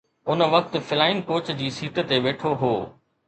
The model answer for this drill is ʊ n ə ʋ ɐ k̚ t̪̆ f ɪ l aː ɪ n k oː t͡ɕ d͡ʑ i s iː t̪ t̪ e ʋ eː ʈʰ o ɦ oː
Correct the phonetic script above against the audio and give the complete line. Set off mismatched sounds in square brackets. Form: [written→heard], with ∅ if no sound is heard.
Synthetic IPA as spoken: ʊ n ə ʋ ɐ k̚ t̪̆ f ɪ l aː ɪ n k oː t͡ɕ d͡ʑ [i→iː] s iː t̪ t̪ e ʋ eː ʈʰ o ɦ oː